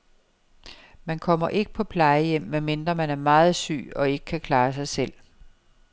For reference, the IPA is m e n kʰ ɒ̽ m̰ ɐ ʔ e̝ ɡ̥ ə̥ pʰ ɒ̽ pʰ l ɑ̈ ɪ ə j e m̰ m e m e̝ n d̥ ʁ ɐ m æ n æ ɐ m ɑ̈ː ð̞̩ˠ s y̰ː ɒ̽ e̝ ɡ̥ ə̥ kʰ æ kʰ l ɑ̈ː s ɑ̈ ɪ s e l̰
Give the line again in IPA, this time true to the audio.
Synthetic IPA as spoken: m æ n kʰ ɒ̽ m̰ ɐ ʔ e̝ ɡ̥ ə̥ pʰ ɒ̽ pʰ l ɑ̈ ɪ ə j e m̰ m e m e̝ n d̥ ʁ ɐ m æ n æ ɐ m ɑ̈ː ð̞̩ˠ s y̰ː ɒ̽ e̝ ɡ̥ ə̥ kʰ æ kʰ l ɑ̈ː s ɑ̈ ɪ s e l̰